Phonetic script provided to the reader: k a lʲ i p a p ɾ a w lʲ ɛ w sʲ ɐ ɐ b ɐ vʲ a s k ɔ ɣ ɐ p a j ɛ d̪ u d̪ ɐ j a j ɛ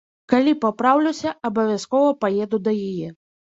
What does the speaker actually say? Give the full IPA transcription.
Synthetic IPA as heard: k a lʲ i p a p ɾ a w lʲ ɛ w sʲ ɐ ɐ b ɐ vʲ a s k ɔ v ɐ p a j ɛ d̪ u d̪ ɐ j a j ɛ